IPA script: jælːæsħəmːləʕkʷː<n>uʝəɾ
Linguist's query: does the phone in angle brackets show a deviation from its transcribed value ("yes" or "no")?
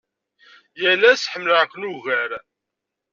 no